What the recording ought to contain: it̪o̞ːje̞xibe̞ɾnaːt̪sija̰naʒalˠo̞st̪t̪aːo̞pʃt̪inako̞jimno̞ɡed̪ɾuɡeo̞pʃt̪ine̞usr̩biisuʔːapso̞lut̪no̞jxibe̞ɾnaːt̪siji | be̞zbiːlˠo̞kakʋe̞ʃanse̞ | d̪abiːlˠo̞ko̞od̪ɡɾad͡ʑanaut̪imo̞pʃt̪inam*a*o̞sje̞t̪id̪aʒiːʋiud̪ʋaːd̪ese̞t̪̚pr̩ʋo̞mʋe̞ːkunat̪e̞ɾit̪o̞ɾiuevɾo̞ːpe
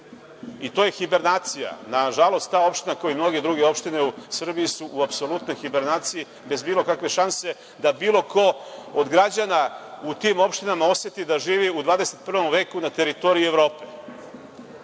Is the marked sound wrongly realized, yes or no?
no